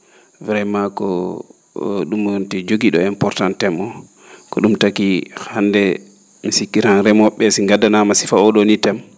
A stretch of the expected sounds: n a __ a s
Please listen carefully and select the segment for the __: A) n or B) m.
B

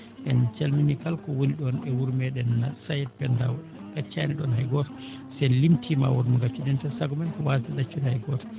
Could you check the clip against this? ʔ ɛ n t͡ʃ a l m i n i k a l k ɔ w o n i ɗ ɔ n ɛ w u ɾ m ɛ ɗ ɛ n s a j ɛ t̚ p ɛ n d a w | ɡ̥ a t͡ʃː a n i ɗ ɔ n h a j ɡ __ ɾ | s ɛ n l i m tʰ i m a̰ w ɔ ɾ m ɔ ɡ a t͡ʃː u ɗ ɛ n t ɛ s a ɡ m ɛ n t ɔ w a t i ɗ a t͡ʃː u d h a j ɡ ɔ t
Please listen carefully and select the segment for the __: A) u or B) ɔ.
B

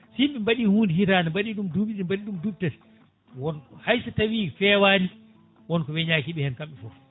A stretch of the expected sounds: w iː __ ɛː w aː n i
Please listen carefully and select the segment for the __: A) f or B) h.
A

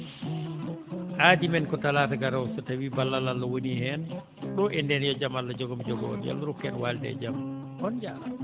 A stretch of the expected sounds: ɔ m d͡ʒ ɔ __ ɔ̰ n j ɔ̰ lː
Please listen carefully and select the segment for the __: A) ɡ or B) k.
A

